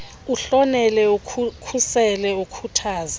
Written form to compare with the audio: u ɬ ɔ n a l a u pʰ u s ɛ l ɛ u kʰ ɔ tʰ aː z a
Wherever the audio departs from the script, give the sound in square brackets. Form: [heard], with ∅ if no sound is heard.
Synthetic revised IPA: u ɬ ɔ n [ɛ] l [ɛ] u [kʰ] u s ɛ l ɛ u kʰ [u] tʰ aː z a